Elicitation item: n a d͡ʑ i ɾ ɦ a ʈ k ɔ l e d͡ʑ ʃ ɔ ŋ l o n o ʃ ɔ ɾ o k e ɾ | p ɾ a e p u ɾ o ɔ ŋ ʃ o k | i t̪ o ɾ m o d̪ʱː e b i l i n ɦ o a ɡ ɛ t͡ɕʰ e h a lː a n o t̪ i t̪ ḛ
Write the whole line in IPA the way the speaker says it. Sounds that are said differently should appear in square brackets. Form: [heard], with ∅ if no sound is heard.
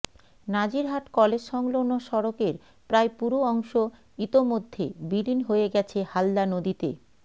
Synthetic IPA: n a d͡ʑ i ɾ ɦ a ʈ k ɔ l e d͡ʑ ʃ ɔ ŋ l o n o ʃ ɔ ɾ o k e ɾ | p ɾ a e p u ɾ o ɔ ŋ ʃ o [∅] | i t̪ o [∅] m o d̪ʱː e b i l i n ɦ o [e] ɡ ɛ t͡ɕʰ e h a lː a n o [d̪] i t̪ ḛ